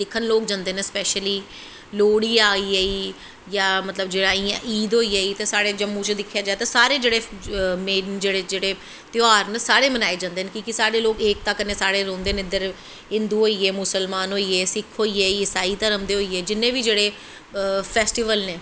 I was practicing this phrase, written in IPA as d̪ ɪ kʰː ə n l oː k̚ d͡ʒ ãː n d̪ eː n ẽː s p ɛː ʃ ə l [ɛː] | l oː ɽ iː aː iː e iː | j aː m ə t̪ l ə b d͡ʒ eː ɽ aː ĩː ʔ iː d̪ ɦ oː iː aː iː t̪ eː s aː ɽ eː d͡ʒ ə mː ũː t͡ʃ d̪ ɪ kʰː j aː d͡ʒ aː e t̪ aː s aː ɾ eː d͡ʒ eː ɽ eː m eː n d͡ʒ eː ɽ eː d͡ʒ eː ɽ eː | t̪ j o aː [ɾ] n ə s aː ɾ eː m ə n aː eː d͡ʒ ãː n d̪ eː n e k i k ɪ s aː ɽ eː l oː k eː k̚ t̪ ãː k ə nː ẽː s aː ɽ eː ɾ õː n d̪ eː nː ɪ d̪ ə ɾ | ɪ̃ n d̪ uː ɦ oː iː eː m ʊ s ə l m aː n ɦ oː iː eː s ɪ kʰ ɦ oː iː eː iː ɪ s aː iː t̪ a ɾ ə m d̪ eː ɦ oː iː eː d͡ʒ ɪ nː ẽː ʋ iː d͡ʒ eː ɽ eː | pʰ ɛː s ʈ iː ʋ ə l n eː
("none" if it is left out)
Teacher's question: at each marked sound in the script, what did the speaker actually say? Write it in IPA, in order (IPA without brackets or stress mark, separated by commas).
iː, ɾ